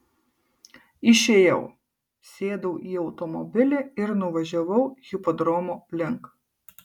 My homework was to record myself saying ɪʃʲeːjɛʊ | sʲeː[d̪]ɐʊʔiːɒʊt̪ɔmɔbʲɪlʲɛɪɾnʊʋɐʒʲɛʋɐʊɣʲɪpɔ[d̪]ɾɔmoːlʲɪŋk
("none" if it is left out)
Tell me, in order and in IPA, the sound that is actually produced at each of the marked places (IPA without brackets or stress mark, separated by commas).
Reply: d̪, d̪